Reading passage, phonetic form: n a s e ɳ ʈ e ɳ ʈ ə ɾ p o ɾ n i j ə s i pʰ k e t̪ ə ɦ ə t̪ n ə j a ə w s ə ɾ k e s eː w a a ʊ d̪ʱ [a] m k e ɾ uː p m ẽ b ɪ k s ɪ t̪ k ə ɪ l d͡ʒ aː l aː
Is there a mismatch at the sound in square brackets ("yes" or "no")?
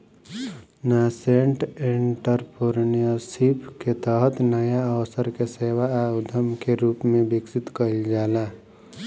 yes